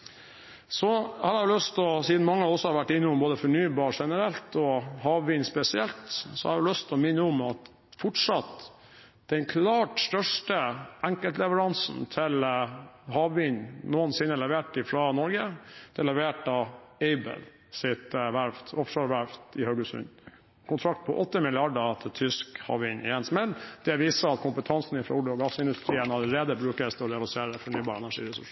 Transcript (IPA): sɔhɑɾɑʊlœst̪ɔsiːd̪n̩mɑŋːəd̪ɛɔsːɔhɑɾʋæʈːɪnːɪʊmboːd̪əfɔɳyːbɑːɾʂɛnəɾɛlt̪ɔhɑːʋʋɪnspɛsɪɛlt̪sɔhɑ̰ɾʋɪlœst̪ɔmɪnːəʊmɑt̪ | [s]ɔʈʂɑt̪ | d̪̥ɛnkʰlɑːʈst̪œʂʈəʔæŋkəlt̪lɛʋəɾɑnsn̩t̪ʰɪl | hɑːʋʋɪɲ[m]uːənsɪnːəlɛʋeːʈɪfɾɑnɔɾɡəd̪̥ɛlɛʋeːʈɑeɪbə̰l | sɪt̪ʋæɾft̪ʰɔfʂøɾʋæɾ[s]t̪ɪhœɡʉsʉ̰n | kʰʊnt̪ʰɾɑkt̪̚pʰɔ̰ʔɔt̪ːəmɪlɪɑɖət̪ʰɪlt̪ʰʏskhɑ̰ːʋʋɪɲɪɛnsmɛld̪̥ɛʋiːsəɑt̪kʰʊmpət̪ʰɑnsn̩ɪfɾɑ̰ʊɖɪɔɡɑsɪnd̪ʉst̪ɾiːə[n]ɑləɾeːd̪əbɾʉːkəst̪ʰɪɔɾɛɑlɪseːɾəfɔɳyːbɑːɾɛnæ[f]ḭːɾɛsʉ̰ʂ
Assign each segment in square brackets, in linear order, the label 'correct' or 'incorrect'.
incorrect: f, incorrect: n, incorrect: f, correct, incorrect: ʂ

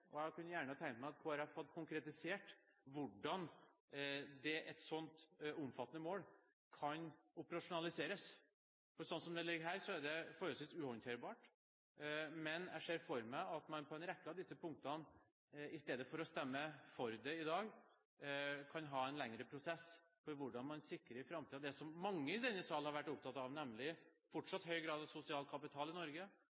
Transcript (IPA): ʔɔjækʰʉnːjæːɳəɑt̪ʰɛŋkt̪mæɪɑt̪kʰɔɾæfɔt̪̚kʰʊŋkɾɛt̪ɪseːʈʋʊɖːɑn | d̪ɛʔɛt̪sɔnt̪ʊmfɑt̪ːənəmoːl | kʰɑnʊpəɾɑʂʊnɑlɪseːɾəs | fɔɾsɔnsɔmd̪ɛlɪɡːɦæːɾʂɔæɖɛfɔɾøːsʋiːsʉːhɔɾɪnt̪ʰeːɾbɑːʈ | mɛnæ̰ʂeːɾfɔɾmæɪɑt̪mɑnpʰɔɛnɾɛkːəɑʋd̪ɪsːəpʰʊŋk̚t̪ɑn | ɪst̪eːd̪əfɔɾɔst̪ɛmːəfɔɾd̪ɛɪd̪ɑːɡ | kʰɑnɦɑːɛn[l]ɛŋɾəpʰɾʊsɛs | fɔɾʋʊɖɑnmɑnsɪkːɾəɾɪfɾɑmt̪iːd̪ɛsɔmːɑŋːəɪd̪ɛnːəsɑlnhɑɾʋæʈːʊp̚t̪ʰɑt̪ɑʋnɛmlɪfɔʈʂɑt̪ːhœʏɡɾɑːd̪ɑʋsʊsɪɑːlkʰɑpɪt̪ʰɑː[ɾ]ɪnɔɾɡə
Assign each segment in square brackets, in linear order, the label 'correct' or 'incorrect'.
correct, incorrect: l

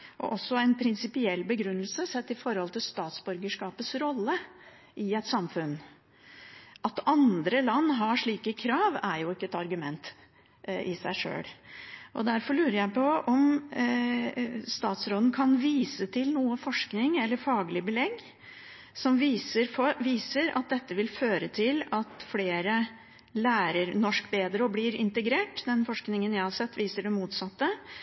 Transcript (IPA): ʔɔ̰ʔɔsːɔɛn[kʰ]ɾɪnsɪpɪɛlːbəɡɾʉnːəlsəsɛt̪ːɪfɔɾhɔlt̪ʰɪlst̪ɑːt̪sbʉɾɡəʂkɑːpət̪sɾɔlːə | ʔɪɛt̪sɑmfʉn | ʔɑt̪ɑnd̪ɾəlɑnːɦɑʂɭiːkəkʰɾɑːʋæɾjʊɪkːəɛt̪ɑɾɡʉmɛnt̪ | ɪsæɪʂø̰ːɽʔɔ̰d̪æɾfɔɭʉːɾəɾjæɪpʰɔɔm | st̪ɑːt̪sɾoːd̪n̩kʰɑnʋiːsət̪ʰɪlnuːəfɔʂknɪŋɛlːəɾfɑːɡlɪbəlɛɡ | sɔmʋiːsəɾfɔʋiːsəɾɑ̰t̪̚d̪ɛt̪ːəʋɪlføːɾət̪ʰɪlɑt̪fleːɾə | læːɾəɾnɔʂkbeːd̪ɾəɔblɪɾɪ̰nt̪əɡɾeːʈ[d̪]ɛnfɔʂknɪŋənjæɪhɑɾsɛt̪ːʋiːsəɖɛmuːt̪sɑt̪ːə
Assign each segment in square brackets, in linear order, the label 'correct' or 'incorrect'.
incorrect: pʰ, correct

